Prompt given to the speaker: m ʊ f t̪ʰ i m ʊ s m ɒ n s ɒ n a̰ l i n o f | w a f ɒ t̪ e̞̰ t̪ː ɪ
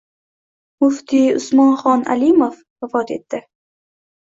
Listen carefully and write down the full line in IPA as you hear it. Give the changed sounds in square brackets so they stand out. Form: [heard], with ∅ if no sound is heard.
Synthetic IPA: m ʊ f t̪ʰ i [∅] ʊ s m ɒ n [χ] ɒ n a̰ l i [m] o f | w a f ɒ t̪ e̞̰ t̪ː ɪ